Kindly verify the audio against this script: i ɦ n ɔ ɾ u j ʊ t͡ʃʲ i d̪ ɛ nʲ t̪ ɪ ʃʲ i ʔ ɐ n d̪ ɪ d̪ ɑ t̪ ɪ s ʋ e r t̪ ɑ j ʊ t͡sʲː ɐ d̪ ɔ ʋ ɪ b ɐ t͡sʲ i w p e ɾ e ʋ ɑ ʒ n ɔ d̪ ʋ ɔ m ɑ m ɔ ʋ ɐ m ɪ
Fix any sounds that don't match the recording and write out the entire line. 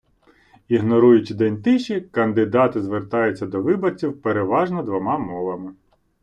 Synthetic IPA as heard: i ɦ n ɔ ɾ u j ʊ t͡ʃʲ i d̪ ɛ nʲ t̪ ɪ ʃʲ i k ɐ n d̪ ɪ d̪ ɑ t̪ ɪ z ʋ e r t̪ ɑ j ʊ t͡sʲː ɐ d̪ ɔ ʋ ɪ b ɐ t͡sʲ i w p e ɾ e ʋ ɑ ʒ n ɔ d̪ ʋ ɔ m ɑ m ɔ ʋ ɐ m ɪ